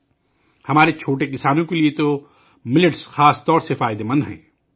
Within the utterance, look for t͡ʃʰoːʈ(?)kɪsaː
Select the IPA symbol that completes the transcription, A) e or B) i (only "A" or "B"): A